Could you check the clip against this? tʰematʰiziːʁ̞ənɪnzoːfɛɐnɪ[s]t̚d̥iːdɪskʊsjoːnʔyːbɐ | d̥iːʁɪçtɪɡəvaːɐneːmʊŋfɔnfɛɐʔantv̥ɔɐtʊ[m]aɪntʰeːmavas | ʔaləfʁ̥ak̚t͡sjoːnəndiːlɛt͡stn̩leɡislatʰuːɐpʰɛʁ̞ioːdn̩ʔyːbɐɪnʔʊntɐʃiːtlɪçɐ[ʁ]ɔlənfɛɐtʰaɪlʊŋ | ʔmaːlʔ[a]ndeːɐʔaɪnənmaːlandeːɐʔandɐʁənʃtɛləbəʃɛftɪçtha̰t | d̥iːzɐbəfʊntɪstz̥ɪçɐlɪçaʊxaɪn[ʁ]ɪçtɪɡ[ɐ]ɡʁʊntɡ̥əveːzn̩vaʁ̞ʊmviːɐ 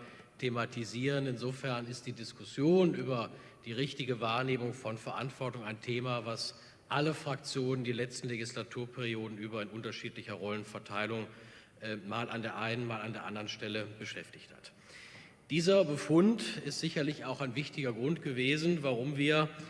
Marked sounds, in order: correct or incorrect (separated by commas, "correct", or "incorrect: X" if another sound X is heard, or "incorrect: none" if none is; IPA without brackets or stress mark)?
correct, incorrect: ŋ, correct, correct, incorrect: v, correct